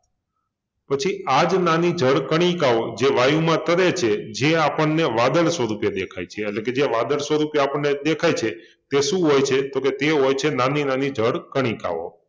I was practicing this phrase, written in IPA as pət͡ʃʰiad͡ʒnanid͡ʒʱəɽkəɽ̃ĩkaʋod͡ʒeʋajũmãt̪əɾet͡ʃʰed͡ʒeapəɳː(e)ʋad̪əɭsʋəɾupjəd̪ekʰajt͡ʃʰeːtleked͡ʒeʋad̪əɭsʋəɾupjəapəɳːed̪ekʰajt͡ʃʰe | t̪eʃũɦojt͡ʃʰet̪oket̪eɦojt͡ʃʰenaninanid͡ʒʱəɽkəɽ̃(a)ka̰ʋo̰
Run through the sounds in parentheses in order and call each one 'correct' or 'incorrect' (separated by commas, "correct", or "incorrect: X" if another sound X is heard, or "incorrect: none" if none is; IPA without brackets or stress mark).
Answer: correct, incorrect: i